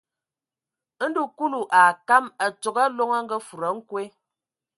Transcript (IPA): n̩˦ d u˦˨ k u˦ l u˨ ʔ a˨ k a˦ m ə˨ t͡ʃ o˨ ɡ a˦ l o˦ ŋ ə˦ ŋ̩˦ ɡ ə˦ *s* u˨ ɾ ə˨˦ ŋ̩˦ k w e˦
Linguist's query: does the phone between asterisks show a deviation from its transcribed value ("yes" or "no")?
yes